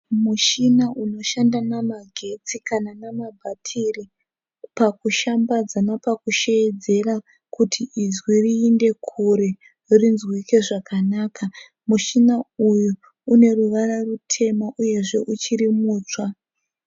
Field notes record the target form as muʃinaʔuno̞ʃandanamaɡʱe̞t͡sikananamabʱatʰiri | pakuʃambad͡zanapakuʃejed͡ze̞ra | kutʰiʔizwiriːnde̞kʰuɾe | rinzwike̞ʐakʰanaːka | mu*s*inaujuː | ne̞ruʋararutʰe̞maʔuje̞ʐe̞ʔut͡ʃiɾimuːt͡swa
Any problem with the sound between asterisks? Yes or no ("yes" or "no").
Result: yes